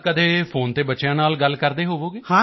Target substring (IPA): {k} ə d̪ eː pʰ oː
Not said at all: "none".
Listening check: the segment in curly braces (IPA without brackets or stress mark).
k